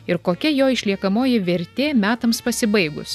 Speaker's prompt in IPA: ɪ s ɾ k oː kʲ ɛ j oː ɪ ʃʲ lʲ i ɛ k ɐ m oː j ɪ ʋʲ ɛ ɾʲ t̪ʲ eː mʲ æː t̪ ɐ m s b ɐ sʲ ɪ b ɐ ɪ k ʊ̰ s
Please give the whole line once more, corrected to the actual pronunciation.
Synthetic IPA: ɪ ɾ k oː kʲ ɛ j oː ɪ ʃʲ lʲ i ɛ k ɐ m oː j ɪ ʋʲ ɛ ɾʲ t̪ʲ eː mʲ æː t̪ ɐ m s p ɐ sʲ ɪ b ɐ ɪ ɡ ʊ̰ s